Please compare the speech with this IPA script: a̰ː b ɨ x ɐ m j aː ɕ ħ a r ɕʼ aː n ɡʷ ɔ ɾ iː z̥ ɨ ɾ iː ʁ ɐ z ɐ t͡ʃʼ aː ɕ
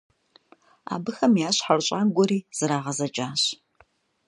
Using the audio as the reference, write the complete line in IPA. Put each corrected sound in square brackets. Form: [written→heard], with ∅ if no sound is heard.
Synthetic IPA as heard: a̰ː b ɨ x ɐ m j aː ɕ ħ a r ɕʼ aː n ɡʷ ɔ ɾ iː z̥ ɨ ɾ [iː→aː] ʁ ɐ z ɐ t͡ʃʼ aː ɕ